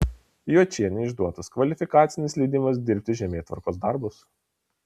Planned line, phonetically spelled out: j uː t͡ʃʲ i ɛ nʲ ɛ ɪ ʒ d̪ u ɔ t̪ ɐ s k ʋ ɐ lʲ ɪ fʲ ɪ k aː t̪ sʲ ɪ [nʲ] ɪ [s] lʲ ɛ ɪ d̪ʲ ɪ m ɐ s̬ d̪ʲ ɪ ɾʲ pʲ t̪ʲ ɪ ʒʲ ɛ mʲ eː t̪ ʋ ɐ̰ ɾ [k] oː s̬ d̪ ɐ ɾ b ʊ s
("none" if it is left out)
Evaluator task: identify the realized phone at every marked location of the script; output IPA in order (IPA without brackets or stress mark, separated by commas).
nʲ, s, k